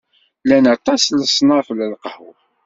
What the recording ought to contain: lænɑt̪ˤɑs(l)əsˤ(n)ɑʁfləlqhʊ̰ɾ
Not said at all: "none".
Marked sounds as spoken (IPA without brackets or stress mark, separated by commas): l, n